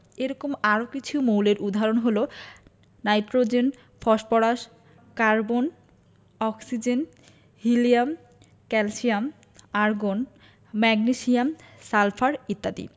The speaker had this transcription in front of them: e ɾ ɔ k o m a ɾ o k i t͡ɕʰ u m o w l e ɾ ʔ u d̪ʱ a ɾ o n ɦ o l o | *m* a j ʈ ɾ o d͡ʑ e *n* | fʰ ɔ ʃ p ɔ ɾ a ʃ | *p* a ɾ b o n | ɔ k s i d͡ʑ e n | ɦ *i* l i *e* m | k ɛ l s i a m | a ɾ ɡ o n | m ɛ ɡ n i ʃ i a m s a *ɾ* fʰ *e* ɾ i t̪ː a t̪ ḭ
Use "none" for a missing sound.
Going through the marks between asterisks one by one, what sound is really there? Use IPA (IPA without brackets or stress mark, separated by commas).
n, n, k, i, a, l, a